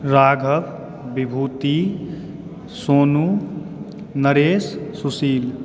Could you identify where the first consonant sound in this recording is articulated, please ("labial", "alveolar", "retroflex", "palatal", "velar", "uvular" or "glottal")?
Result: alveolar